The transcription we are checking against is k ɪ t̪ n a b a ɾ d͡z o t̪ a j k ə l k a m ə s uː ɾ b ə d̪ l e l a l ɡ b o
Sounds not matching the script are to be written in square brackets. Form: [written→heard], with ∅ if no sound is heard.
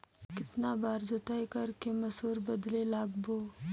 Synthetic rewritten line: k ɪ t̪ n a b a ɾ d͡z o t̪ a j k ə [l→ɾ] k [a→e] m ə s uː ɾ b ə d̪ l e l a [l→∅] ɡ b o